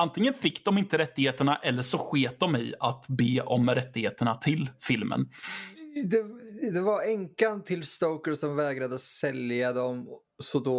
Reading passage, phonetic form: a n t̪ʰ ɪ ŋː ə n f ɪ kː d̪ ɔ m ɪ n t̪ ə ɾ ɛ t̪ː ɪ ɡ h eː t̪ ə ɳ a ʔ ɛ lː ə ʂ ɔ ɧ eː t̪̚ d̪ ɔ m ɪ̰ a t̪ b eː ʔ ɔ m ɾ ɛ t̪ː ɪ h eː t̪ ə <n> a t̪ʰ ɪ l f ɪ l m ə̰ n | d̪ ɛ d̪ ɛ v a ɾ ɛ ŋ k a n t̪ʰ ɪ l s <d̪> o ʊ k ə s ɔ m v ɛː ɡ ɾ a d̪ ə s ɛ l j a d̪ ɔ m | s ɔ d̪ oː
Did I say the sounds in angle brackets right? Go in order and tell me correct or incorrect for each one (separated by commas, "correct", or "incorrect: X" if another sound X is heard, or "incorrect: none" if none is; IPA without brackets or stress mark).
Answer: incorrect: ɳ, incorrect: t̪